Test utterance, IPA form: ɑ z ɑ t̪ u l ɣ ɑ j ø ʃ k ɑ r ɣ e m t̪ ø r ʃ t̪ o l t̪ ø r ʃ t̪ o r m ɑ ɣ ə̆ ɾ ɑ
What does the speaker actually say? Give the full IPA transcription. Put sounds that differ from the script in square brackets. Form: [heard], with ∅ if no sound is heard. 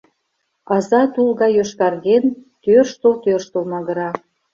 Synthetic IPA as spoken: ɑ z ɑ t̪ u l ɣ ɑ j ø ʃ k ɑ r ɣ e [n] t̪ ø r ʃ t̪ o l t̪ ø r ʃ t̪ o [l] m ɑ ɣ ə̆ ɾ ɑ